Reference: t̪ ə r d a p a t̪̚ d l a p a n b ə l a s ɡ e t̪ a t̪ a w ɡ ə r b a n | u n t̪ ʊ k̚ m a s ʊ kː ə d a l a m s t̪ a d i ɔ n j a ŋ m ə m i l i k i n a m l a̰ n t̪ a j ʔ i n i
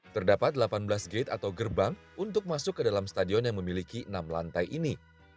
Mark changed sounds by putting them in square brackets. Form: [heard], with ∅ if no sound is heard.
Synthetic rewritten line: t̪ ə r d a p a t̪̚ d l a p a n b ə l a s ɡ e t̪ a t̪ a w ɡ ə r b a [ŋ] | u n t̪ ʊ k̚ m a s ʊ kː ə d a l a m s t̪ a d i ɔ n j a ŋ m ə m i l i k i n a m l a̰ n t̪ a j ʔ i n i